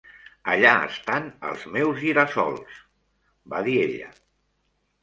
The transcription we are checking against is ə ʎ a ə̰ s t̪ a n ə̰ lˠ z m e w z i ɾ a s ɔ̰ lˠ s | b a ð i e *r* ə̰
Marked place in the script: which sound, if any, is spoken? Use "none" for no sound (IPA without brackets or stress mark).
ʎ